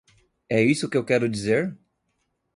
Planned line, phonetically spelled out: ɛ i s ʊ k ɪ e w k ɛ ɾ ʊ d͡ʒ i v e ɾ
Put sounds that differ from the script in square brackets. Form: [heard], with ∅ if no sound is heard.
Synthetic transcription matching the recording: ɛ i s ʊ k ɪ e w k ɛ ɾ ʊ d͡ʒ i [z] e ɾ